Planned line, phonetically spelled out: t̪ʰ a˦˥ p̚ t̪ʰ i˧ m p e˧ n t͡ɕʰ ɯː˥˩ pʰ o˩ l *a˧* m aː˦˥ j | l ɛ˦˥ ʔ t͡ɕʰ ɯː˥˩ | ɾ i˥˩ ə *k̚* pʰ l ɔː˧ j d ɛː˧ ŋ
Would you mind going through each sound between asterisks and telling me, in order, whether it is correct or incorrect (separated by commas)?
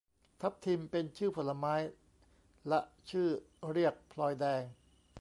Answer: correct, correct